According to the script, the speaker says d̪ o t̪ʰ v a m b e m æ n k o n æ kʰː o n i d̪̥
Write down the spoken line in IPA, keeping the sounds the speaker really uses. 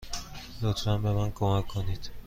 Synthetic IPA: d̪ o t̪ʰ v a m b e m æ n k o m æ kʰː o n i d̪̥